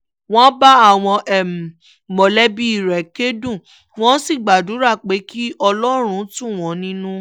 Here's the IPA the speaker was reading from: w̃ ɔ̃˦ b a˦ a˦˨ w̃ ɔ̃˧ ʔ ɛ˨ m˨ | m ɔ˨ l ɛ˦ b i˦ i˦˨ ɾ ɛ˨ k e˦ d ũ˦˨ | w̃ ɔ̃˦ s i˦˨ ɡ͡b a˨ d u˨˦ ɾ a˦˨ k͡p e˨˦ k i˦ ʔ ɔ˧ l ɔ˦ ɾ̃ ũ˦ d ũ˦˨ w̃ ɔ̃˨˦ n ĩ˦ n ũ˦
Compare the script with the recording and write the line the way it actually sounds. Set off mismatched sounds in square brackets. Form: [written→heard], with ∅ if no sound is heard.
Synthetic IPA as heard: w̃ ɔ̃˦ b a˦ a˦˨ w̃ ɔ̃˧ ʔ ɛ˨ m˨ | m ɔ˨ l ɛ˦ b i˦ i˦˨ ɾ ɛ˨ k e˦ d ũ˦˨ | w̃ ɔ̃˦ s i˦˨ ɡ͡b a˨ d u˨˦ ɾ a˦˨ k͡p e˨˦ k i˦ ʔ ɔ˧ l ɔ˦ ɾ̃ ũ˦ [d→t] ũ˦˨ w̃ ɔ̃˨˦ n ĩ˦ n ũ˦